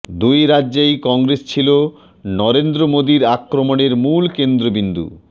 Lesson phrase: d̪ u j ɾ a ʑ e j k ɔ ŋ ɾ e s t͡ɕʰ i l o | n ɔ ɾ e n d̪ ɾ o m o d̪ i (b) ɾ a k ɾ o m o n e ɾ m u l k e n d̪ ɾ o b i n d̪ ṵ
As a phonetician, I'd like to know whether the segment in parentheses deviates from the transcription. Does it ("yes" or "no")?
yes